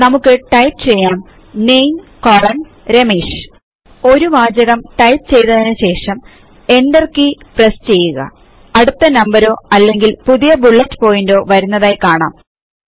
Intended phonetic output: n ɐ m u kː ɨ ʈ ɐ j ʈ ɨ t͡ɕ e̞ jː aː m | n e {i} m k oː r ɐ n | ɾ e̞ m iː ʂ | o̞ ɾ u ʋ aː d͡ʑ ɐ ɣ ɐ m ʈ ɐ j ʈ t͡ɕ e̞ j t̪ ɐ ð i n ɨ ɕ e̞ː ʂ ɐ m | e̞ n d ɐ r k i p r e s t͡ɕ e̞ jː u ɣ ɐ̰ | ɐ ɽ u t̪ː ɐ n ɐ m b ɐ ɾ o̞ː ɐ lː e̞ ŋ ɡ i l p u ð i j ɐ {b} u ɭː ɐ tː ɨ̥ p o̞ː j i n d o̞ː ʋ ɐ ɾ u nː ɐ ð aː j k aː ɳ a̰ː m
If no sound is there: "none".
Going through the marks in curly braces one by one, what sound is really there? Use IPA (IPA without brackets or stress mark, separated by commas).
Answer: j, b